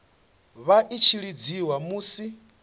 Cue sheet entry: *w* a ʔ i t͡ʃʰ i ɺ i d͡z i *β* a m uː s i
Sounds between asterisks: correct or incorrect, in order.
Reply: incorrect: β, incorrect: w

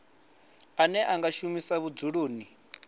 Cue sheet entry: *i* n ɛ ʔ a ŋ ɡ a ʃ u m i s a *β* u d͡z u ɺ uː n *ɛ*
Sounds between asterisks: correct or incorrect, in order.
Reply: incorrect: a, correct, incorrect: i

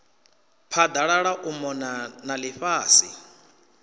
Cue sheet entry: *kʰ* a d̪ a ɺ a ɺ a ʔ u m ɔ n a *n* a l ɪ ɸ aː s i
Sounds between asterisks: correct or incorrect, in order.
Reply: incorrect: pʰ, correct

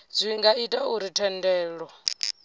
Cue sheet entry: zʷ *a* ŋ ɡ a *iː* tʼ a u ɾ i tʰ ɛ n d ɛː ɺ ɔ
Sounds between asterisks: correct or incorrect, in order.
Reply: incorrect: i, incorrect: i

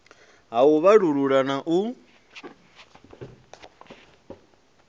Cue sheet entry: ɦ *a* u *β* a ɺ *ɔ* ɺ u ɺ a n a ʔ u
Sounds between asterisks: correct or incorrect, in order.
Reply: correct, correct, incorrect: u

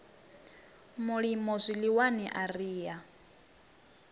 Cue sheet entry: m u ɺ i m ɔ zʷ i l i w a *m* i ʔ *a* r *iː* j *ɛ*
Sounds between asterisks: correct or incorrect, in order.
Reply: incorrect: n, correct, correct, incorrect: a

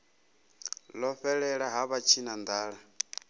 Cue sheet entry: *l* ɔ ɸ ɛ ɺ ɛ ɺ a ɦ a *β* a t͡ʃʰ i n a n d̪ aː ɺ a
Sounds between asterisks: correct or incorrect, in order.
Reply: correct, correct

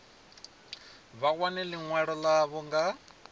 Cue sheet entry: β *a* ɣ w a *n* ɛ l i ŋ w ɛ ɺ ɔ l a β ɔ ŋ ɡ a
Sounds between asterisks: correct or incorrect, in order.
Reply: correct, correct

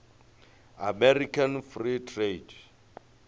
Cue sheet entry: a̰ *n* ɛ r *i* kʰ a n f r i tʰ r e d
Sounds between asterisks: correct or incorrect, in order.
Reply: incorrect: m, correct

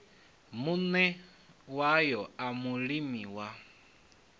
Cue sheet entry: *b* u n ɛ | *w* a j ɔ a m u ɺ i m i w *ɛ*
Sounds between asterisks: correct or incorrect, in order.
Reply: incorrect: m, correct, incorrect: a

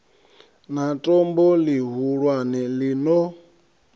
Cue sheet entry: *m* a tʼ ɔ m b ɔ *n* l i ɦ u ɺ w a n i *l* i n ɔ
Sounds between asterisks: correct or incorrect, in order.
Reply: incorrect: n, incorrect: none, correct

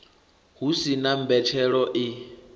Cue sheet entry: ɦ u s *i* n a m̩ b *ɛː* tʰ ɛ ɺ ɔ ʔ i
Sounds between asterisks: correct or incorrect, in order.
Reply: correct, incorrect: ɛ

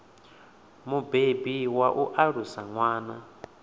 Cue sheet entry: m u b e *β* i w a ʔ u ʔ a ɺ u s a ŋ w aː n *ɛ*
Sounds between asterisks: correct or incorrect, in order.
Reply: incorrect: b, incorrect: a

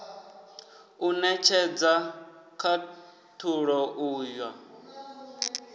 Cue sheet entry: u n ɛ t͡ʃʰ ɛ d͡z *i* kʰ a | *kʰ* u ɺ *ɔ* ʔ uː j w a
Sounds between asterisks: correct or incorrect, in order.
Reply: incorrect: a, incorrect: tʰ, correct

